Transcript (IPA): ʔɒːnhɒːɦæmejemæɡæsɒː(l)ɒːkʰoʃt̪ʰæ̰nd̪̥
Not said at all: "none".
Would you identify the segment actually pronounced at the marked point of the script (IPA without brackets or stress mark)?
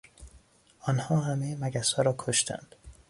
ɾ